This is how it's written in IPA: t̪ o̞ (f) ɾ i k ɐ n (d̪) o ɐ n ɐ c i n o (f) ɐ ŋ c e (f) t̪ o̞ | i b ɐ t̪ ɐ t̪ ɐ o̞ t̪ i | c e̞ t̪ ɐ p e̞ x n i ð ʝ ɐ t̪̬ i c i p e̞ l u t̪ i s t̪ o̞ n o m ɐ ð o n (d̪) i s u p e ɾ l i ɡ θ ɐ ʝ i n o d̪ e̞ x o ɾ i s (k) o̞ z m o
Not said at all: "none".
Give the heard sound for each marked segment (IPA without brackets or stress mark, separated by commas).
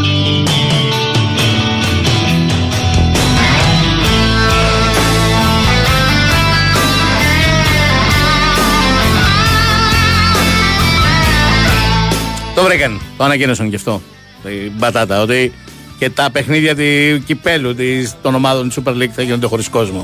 v, t̪, s, f, t̪, k